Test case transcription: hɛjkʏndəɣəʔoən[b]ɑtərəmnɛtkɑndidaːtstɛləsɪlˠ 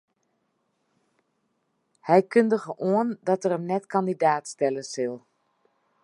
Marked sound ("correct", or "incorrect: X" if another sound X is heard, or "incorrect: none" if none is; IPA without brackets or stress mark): incorrect: d